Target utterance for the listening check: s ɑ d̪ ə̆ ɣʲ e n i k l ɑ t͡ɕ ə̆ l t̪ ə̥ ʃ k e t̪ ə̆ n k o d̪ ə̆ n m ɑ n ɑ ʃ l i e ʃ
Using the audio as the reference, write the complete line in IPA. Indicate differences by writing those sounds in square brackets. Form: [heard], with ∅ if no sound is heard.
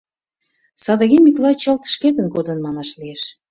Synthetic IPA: s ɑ d̪ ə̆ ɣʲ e [m] i k l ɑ t͡ɕ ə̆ l t̪ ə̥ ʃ k e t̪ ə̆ n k o d̪ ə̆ n m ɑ n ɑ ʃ l i e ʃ